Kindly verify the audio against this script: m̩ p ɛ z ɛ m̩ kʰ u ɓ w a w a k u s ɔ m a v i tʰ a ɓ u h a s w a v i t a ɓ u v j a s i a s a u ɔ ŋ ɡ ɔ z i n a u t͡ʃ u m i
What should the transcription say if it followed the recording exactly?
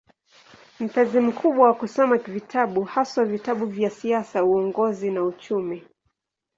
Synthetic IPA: m̩ p ɛ z i m̩ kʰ u ɓ w a w a k u s ɔ m a v i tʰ a ɓ u h a s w a v i t a ɓ u v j a s i a s a u ɔ ŋ ɡ ɔ z i n a u t͡ʃ u m i